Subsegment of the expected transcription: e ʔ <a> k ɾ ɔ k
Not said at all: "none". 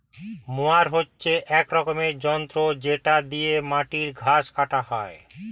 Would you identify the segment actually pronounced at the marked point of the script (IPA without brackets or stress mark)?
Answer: ɛ